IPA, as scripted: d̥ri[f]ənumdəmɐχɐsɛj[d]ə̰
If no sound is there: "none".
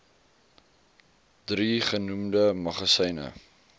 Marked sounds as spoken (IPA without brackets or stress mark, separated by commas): χ, n